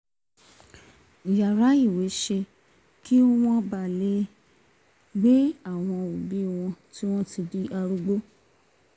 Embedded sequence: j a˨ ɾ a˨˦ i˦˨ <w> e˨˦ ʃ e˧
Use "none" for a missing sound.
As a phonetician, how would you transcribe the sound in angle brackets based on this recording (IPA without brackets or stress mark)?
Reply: w